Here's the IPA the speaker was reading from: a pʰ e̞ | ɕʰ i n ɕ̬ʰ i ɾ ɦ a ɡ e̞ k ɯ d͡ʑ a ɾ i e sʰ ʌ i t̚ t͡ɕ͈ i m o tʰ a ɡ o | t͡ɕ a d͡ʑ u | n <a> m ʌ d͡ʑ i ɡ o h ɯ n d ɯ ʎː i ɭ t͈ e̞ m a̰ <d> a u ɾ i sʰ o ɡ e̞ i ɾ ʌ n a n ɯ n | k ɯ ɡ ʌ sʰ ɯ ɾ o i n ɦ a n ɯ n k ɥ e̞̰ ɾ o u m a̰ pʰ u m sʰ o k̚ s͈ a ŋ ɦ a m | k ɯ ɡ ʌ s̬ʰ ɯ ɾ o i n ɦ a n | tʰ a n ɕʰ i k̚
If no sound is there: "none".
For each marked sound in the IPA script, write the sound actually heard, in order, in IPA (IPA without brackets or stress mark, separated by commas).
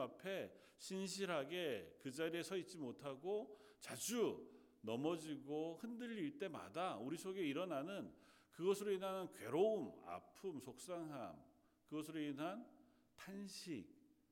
ʌ, d